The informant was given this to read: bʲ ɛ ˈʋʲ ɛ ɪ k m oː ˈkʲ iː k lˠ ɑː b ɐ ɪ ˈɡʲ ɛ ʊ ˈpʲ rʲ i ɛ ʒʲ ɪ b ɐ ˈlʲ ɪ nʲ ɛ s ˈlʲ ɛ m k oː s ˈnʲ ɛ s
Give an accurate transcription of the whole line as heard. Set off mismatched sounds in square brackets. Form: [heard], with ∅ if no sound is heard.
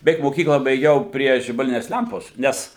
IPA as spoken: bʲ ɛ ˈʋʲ ɛ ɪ k m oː ˈkʲ iː k lˠ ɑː b ɐ ɪ ˈɡʲ ɛ ʊ ˈpʲ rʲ i ɛ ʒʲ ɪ b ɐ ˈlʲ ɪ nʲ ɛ s ˈlʲ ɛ m [p] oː s ˈnʲ ɛ s